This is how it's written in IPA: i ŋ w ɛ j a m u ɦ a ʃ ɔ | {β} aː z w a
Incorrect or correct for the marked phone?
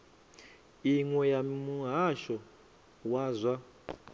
incorrect: w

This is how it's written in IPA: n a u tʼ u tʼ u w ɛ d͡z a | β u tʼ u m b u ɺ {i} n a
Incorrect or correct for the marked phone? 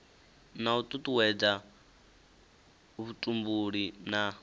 correct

